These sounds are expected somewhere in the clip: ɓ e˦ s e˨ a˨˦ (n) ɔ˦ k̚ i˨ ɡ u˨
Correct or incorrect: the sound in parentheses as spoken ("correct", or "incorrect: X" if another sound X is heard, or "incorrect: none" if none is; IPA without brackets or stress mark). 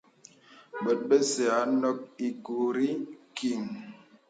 correct